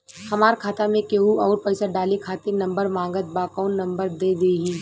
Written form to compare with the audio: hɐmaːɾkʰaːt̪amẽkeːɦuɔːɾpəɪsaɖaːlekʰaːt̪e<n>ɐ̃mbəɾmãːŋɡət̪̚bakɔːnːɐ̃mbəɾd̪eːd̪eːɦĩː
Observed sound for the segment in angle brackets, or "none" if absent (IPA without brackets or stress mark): n